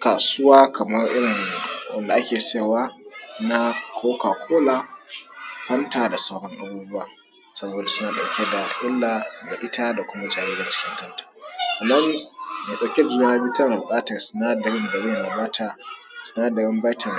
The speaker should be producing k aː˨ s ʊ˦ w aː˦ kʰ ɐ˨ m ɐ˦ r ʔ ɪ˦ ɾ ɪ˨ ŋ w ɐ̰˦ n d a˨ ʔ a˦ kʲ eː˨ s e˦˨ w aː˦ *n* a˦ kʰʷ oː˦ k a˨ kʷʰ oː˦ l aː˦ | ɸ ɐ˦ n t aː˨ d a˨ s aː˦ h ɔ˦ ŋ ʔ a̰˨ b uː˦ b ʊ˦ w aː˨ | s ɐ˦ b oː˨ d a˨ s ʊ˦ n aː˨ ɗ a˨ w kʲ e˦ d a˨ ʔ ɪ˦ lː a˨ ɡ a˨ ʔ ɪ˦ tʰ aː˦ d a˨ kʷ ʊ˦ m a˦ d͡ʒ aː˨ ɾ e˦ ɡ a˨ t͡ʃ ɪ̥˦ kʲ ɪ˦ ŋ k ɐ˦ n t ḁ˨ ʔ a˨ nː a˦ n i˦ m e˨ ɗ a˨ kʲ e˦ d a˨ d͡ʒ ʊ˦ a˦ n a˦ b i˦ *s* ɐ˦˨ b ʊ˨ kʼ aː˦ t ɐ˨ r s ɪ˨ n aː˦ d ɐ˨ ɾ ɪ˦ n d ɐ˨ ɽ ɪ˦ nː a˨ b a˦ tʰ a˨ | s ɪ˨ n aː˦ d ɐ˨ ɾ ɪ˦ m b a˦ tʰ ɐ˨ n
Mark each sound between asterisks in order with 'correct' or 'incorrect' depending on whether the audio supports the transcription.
correct, incorrect: t

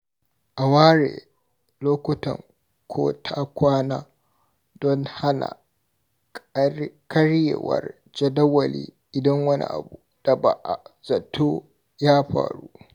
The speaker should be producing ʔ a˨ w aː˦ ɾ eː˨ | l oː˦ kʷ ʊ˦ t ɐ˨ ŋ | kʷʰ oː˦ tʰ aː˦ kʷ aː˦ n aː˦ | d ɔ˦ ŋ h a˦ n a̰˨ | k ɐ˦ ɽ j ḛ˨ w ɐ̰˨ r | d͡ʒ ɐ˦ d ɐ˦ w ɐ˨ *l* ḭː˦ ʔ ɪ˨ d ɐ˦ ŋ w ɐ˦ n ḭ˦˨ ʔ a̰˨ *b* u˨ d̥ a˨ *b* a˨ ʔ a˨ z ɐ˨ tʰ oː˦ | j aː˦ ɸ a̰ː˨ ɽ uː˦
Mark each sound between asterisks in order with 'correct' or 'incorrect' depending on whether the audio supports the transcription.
correct, correct, correct

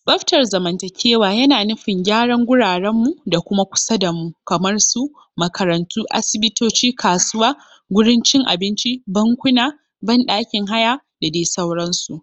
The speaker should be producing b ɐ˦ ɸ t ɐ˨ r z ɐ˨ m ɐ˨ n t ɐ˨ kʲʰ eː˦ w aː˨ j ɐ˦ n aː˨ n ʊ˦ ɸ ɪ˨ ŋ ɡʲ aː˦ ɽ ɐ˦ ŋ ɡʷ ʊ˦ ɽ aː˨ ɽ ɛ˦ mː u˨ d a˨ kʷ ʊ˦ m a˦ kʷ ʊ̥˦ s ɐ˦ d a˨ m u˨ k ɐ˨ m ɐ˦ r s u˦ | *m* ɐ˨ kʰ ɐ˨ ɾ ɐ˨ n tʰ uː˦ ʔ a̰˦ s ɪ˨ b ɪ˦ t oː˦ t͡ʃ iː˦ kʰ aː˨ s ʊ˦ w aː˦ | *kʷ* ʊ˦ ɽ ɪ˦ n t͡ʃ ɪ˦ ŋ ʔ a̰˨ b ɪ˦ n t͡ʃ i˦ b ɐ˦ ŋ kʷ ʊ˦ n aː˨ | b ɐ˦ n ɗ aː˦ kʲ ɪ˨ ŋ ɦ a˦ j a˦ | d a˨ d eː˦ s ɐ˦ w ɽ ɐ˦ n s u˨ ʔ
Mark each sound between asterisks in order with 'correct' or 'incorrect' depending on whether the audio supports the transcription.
correct, incorrect: ɡʷ

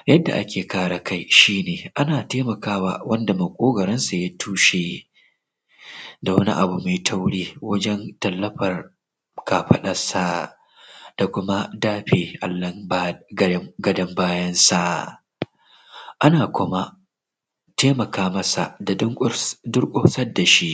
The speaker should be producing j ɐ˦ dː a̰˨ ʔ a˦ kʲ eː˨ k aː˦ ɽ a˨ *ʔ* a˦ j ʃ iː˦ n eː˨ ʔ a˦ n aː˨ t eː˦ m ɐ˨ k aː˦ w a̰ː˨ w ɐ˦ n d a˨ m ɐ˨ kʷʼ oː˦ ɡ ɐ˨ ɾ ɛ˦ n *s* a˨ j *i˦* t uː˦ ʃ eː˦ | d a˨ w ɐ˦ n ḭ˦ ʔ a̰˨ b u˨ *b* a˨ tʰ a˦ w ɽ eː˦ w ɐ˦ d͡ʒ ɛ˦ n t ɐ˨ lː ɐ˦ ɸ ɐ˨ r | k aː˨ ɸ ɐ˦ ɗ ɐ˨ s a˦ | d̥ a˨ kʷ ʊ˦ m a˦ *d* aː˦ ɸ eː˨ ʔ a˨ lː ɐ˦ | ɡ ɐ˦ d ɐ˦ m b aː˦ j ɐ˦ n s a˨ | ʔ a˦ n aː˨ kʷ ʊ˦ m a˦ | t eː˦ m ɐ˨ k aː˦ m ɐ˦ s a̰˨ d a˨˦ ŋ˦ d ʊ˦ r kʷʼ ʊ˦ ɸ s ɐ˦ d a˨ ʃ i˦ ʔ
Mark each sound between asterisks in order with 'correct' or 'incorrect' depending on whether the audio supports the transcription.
incorrect: k, correct, incorrect: a˦, incorrect: m, correct

